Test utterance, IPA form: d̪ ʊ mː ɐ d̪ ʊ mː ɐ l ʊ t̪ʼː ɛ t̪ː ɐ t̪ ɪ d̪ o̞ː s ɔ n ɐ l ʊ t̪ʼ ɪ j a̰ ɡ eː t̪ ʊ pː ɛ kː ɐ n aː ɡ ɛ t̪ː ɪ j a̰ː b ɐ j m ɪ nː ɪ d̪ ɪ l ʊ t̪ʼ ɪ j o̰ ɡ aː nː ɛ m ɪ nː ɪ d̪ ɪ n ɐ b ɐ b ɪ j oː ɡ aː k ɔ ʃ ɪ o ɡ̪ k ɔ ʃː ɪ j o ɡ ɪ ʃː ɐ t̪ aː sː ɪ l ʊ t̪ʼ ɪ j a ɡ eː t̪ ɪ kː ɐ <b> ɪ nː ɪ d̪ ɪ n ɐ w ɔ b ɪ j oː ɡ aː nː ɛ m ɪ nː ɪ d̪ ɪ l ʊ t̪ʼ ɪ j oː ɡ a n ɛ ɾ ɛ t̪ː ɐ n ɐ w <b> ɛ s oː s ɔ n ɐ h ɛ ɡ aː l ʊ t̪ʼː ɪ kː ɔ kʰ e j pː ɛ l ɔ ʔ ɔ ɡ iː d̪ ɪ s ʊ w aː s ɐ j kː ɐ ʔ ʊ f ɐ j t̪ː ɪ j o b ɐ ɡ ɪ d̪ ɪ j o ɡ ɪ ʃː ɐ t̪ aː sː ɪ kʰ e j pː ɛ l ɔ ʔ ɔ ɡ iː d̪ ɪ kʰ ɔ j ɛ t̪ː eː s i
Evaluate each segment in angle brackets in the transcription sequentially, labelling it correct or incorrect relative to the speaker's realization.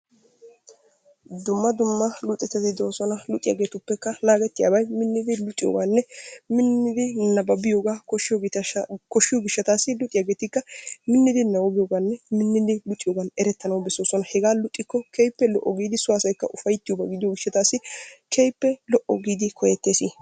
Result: incorrect: m, correct

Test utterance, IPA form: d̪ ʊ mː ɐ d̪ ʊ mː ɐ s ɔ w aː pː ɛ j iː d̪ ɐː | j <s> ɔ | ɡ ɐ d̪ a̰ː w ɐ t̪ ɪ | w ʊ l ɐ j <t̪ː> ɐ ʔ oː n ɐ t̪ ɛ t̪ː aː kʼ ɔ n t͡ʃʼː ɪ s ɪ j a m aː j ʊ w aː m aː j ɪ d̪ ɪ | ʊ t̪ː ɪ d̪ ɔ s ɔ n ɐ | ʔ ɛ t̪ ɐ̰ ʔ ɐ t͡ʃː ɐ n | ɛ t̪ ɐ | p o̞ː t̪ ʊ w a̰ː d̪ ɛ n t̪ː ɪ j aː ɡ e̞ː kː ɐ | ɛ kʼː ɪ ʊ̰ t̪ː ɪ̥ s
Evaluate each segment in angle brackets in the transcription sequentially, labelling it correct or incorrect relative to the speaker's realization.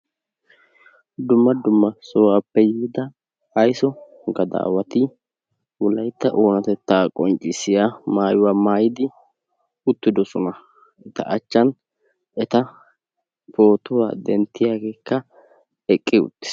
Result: correct, correct

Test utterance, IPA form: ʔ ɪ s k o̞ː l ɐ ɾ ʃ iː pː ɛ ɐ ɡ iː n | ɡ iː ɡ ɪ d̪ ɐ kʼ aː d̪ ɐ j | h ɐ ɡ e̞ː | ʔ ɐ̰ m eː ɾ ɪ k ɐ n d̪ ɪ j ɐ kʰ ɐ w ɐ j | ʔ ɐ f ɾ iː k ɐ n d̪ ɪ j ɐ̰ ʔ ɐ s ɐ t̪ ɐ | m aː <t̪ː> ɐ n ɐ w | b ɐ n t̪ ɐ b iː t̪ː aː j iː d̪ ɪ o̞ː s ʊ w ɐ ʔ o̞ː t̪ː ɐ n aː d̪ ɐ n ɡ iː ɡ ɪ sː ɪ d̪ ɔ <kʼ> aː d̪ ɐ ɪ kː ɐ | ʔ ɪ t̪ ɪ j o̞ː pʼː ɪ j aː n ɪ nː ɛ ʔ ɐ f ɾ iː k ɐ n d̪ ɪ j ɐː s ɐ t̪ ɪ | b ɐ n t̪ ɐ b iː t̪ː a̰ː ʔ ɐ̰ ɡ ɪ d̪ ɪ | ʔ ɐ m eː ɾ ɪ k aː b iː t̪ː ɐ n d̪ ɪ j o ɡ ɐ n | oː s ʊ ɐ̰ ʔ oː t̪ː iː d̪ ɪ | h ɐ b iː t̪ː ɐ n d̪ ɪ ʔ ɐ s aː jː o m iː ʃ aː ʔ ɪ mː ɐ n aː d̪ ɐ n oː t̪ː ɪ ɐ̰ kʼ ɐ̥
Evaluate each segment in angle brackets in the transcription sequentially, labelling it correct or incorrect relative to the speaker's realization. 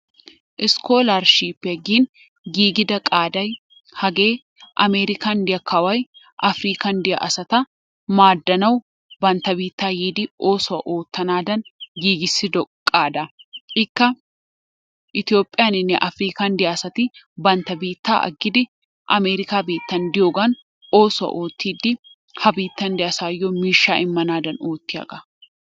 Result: incorrect: d̪ː, correct

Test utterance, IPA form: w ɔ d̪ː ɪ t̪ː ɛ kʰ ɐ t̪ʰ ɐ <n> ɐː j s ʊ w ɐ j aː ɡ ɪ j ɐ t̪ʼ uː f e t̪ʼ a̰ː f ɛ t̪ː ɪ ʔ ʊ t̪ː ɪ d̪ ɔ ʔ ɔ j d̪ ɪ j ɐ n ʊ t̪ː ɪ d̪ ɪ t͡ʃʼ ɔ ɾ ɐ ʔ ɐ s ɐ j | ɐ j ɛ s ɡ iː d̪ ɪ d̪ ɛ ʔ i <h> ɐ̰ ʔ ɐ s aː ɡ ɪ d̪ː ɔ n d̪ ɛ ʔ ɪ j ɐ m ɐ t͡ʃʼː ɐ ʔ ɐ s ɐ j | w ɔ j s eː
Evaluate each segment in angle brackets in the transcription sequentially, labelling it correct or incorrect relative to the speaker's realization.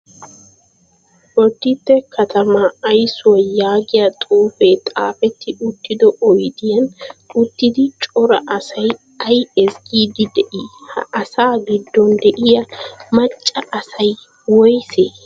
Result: incorrect: m, correct

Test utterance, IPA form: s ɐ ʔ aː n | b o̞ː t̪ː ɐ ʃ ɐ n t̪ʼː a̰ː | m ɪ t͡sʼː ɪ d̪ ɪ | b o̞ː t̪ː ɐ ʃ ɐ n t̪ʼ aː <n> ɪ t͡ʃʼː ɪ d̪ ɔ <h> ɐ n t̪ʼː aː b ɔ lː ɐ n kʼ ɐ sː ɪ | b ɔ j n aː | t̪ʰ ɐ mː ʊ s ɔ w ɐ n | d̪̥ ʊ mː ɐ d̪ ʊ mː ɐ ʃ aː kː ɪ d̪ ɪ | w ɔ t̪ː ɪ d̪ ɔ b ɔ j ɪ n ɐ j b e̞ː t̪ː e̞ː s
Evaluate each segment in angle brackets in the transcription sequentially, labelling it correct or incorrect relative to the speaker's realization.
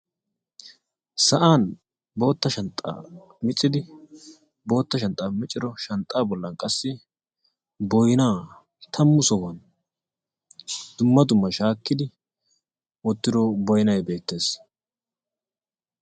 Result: incorrect: m, incorrect: ʃ

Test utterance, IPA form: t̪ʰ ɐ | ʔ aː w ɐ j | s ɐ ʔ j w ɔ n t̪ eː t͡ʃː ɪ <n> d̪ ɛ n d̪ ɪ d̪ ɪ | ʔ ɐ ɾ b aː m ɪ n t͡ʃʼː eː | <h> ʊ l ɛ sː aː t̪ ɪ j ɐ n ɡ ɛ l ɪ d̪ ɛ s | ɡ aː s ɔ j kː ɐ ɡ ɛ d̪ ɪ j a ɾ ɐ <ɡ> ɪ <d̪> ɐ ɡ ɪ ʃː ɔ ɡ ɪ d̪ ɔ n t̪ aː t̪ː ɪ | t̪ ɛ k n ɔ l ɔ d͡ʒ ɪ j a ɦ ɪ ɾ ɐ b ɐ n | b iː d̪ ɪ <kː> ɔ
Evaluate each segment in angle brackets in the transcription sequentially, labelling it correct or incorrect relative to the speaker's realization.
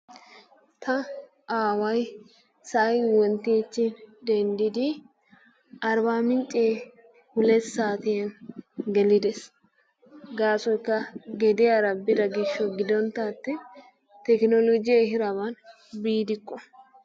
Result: correct, correct, incorrect: b, correct, correct

